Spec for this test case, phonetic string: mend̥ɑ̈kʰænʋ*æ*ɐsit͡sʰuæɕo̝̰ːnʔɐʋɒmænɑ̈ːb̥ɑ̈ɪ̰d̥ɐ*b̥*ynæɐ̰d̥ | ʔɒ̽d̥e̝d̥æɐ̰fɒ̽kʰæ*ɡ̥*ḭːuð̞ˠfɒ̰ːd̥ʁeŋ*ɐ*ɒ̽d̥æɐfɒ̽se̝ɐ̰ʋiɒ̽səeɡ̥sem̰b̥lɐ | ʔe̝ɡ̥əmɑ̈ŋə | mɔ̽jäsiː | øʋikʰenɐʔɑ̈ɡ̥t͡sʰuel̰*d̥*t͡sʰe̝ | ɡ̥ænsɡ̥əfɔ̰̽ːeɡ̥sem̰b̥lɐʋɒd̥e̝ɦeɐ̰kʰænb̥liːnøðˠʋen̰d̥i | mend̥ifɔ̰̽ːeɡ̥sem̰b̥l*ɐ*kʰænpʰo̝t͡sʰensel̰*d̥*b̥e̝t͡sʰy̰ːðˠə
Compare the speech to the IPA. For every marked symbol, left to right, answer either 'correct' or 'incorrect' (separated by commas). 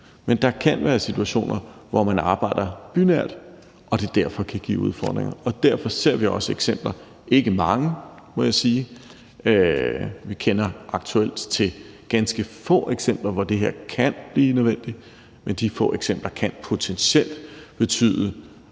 incorrect, correct, correct, correct, correct, correct, correct